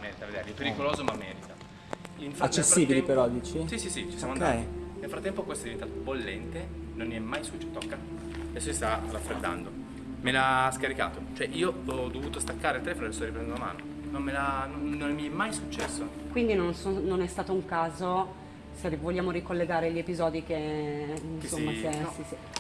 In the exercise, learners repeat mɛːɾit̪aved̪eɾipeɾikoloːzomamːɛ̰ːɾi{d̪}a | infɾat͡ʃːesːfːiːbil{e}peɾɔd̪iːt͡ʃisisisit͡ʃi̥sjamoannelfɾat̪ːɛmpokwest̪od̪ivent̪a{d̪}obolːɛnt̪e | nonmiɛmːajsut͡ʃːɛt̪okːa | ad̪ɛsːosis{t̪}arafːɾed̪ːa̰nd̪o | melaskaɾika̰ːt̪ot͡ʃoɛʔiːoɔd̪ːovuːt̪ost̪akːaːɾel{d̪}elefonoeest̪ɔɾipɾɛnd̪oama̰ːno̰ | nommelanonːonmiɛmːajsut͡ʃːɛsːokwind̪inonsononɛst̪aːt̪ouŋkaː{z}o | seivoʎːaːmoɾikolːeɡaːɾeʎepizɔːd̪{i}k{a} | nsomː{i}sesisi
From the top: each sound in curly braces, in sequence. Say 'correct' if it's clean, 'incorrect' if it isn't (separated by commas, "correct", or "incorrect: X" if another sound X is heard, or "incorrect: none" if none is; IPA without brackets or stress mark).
incorrect: t̪, incorrect: i, incorrect: t̪, correct, incorrect: t̪, correct, correct, incorrect: e, incorrect: a